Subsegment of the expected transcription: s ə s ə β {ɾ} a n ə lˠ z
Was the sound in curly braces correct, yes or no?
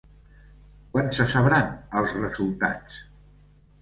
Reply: yes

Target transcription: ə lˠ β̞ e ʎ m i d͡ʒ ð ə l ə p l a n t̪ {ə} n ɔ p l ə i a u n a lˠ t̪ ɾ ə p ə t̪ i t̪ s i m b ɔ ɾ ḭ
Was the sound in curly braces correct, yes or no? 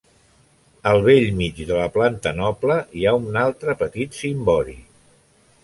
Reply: yes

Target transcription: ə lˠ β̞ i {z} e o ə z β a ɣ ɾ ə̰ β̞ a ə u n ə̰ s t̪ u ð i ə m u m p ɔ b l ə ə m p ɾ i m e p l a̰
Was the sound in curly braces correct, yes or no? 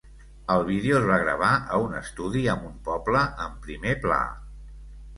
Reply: no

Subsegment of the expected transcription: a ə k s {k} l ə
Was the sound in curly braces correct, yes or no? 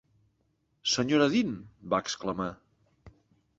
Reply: yes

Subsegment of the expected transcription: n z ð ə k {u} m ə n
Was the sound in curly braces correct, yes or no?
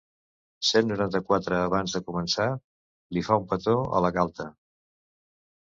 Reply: yes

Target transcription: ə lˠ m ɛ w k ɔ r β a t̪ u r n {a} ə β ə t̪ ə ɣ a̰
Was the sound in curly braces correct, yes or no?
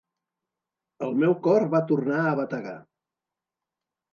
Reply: yes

